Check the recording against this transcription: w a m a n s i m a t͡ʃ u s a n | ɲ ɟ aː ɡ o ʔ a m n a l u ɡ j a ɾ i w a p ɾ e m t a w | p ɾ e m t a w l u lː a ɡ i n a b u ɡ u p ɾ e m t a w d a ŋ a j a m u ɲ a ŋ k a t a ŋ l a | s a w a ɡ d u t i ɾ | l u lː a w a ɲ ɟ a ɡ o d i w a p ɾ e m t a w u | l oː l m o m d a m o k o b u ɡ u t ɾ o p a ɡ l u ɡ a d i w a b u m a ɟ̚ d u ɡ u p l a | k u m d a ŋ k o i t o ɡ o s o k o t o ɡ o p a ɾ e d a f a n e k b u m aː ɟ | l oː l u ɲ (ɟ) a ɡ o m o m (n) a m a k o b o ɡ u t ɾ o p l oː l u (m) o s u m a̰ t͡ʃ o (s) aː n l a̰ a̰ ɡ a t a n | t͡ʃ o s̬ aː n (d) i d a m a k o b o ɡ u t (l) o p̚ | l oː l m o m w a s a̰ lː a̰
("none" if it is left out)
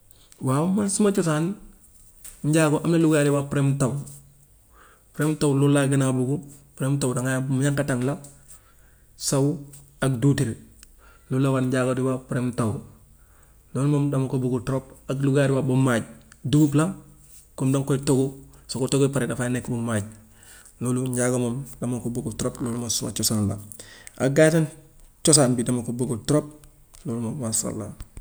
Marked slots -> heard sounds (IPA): ɟ, d, m, s, b, ɾ

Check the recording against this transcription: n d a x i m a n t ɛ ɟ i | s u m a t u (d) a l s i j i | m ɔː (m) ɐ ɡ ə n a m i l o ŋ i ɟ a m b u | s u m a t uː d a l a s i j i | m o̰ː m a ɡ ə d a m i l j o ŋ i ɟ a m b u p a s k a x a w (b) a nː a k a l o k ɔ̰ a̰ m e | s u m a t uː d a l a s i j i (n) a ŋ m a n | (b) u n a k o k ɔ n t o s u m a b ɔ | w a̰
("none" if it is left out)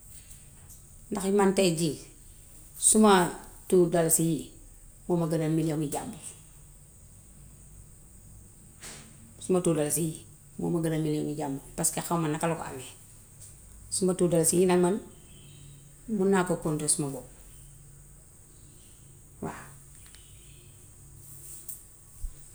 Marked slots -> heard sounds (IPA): d, m, m, n, m

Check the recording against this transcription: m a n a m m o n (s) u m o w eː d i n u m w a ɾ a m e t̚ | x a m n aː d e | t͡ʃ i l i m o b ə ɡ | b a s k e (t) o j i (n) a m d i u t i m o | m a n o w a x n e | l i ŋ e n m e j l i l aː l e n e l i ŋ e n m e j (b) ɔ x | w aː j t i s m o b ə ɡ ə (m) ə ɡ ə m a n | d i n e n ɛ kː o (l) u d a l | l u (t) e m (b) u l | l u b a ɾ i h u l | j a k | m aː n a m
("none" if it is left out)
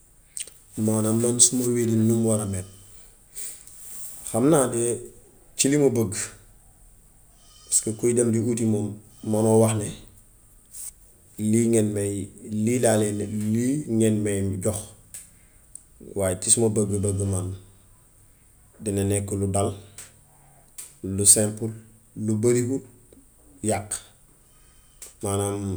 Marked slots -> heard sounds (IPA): s, k, d, ɟ, b, l, s, p

